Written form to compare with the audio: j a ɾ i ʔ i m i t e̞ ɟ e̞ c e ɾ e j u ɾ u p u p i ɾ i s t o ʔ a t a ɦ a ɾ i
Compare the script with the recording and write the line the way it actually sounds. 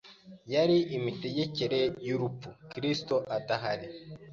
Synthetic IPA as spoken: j a ɾ i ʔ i m i t e̞ ɟ e̞ c e ɾ e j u ɾ u p u k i ɾ i s t o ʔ a t a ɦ a ɾ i